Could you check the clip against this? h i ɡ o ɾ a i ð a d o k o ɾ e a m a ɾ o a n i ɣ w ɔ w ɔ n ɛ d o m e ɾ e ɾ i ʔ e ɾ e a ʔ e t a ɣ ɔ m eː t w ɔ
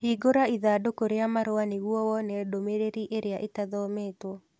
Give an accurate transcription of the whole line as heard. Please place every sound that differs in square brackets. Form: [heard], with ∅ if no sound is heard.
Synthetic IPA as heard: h i ɡ o ɾ a i ð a d o k o ɾ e a m a ɾ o a n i ɣ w ɔ w ɔ n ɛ d o m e ɾ e ɾ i ʔ e ɾ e a ʔ e t a [ð] ɔ m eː t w ɔ